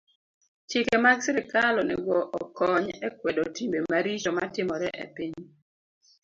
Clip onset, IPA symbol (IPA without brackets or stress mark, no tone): t͡ʃ